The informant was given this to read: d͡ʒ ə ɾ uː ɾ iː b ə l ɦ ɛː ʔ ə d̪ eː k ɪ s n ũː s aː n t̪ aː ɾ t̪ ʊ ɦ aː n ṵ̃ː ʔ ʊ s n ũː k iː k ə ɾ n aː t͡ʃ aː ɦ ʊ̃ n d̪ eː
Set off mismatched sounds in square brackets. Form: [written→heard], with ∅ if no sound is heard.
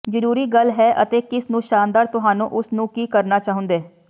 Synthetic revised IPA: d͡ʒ ə ɾ uː ɾ iː [b→ɡ] ə l ɦ ɛː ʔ ə [d̪→t̪] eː k ɪ s n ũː [s→ʃ] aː n [t̪→d̪] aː ɾ t̪ ʊ ɦ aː n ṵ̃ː ʔ ʊ s n ũː k iː k ə ɾ n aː t͡ʃ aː ɦ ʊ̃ n d̪ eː

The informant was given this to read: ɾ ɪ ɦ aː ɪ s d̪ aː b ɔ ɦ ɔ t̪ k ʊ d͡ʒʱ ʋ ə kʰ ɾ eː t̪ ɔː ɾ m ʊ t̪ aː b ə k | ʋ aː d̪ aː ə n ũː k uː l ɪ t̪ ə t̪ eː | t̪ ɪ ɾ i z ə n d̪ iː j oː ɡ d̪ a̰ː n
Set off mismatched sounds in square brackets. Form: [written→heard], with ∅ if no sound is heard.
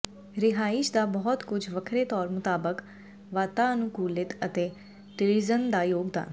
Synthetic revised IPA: ɾ ɪ ɦ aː ɪ [s→ʃ] d̪ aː b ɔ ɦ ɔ t̪ k ʊ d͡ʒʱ ʋ ə kʰ ɾ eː t̪ ɔː ɾ m ʊ t̪ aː b ə k | ʋ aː [d̪→t̪] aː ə n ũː k uː l ɪ t̪ ə t̪ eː | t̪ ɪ ɾ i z ə n d̪ [iː→aː] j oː ɡ d̪ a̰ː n

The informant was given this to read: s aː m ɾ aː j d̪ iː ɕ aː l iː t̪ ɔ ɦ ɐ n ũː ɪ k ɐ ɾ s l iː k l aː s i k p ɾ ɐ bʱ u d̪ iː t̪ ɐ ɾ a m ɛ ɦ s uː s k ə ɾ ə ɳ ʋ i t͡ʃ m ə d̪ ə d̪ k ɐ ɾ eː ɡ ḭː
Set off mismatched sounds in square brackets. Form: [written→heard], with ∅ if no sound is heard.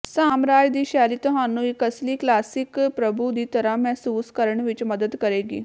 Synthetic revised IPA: s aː m ɾ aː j d̪ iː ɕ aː l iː t̪ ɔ ɦ [ɐ→a] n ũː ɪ k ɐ [ɾ→∅] s l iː k l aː s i k p ɾ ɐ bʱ u d̪ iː t̪ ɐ ɾ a m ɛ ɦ s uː s k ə ɾ ə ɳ ʋ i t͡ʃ m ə d̪ ə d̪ k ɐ ɾ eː ɡ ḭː

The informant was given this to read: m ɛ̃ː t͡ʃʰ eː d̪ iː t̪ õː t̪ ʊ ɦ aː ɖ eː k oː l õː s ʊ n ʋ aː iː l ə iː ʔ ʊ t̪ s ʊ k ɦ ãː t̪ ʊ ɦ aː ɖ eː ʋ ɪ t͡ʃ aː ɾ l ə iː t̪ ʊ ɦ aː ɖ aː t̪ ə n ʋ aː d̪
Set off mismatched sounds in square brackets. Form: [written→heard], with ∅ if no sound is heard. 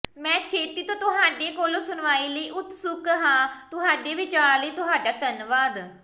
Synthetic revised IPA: m ɛ̃ː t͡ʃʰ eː [d̪→t̪] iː t̪ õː t̪ ʊ ɦ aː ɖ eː k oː l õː s ʊ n ʋ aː iː l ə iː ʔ ʊ t̪ s ʊ k ɦ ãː t̪ ʊ ɦ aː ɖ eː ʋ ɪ t͡ʃ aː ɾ l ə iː t̪ ʊ ɦ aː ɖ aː t̪ ə n ʋ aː d̪

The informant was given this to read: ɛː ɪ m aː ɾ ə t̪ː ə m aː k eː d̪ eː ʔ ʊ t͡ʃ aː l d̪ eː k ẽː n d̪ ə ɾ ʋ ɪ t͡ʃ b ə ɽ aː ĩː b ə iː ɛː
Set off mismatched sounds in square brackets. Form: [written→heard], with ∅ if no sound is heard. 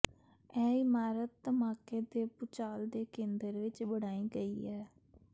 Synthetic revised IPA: ɛː ɪ m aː ɾ ə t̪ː ə m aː k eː d̪ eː [ʔ→p] ʊ t͡ʃ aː l d̪ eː k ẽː n d̪ ə ɾ ʋ ɪ t͡ʃ b ə ɽ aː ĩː [b→ɡ] ə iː ɛː

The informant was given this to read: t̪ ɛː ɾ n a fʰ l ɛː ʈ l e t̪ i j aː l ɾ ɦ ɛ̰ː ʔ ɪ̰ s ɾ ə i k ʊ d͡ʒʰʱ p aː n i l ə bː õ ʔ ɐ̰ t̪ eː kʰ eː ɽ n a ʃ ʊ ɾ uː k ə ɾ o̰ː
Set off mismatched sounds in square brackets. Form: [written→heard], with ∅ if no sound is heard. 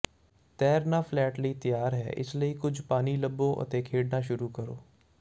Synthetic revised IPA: t̪ ɛː ɾ n a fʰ l ɛː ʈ l [e→i] t̪ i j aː [l→∅] ɾ ɦ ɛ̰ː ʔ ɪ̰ s [ɾ→l] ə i k ʊ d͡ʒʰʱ p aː n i l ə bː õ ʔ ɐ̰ t̪ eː kʰ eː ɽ n a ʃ ʊ ɾ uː k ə ɾ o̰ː

